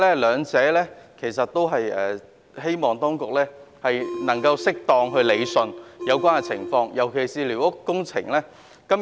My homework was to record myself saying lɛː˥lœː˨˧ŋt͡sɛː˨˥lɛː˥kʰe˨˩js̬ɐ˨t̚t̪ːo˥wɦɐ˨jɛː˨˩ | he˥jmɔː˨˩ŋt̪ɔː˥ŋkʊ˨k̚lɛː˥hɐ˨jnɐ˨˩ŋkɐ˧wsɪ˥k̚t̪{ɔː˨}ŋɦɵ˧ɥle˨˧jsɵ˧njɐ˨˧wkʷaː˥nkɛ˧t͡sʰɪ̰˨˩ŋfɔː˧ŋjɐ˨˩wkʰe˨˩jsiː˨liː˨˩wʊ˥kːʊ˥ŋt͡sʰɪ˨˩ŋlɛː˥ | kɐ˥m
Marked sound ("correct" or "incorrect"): correct